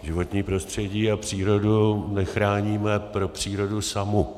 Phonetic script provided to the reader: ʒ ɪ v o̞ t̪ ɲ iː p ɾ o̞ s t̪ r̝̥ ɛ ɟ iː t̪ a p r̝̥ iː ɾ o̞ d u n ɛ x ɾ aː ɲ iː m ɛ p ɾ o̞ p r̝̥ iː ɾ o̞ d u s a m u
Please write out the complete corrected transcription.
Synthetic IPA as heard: ʒ ɪ v o̞ t̪ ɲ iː p ɾ o̞ s t̪ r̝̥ ɛ ɟ iː a p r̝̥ iː ɾ o̞ d u n ɛ x ɾ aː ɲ iː m ɛ p ɾ o̞ p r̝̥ iː ɾ o̞ d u s a m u